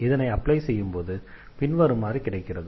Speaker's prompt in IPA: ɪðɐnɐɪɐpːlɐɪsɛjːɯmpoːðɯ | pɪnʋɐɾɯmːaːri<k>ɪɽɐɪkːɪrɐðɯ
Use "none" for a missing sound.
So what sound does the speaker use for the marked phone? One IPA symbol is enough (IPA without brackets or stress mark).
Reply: k